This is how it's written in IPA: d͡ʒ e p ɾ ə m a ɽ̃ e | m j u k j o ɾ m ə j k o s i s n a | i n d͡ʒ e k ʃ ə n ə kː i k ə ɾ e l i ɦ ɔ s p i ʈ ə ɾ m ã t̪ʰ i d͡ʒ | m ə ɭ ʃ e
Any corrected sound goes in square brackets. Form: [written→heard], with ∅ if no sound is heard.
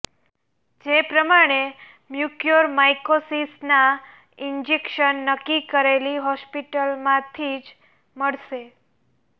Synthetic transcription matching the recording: d͡ʒ e p ɾ ə m a ɽ̃ e | m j u k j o ɾ m [ə→a] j k o s i s n a | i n d͡ʒ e k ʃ ə [n→nː] ə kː i k ə ɾ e l i ɦ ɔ s p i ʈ ə [ɾ→l] m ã t̪ʰ i d͡ʒ | m ə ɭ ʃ e